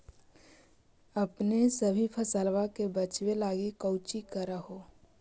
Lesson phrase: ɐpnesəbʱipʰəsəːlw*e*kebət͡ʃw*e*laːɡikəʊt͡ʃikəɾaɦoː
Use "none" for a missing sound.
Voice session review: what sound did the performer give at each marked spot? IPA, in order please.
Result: a, e

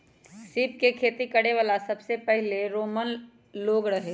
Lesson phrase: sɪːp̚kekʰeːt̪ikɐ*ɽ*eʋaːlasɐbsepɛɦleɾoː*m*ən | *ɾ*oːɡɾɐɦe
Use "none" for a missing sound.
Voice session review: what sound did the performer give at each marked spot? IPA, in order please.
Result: ɽ, m, l

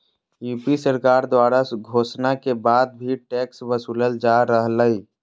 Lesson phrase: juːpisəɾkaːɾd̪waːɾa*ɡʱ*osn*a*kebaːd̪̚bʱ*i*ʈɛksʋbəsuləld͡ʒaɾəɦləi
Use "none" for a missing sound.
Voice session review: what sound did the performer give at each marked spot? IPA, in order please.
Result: ɡʱ, a, i

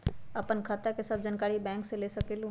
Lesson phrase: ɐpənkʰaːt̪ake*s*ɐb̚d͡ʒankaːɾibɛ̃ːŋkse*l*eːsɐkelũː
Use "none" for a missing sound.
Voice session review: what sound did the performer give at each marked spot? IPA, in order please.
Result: s, l

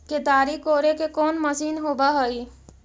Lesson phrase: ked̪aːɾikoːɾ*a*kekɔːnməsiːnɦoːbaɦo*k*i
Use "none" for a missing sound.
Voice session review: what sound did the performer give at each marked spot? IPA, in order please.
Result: e, none

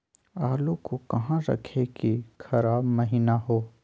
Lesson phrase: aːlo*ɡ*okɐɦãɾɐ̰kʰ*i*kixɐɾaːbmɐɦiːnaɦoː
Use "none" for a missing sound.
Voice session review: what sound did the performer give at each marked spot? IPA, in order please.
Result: k, e

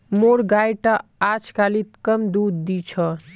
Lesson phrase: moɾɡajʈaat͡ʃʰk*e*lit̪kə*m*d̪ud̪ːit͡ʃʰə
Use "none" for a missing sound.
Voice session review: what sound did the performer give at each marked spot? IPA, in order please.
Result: a, m

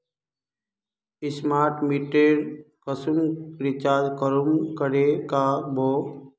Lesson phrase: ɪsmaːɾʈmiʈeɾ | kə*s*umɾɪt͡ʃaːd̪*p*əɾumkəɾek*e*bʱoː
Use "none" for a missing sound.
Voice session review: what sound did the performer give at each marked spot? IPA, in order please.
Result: s, k, a

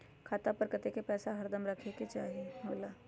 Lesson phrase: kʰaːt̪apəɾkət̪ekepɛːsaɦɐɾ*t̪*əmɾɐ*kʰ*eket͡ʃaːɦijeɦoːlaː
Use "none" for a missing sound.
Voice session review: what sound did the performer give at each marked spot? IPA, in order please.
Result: d̪, kʰ

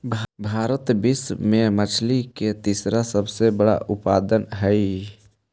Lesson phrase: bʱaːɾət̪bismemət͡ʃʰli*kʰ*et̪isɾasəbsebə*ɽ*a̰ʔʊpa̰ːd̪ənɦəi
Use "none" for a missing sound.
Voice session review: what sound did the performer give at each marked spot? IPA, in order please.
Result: k, ɽ

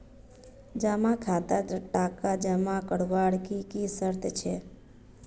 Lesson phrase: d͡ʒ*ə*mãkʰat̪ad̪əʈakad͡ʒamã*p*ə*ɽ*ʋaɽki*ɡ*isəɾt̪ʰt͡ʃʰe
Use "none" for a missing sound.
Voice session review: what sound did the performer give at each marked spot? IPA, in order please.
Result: a, k, ɽ, k

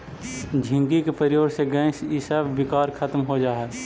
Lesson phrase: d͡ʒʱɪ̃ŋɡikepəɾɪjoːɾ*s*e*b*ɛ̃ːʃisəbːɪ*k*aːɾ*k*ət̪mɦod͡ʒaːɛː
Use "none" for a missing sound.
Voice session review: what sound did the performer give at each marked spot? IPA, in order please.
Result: s, ɡ, k, kʰ

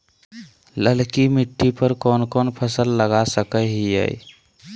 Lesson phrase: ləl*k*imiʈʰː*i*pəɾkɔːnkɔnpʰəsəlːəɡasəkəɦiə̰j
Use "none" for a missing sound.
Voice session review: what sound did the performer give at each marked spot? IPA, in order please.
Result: k, i

